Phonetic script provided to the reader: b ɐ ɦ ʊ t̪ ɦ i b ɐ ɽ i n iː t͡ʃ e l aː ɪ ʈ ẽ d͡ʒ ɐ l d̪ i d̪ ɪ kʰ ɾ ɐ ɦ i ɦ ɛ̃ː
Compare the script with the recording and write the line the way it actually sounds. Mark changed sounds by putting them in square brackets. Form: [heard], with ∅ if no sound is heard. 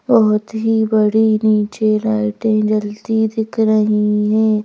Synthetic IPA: b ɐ ɦ ʊ t̪ ɦ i b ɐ ɽ i n iː t͡ʃ e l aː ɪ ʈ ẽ d͡ʒ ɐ l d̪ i d̪ ɪ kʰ ɾ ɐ ɦ i ɦ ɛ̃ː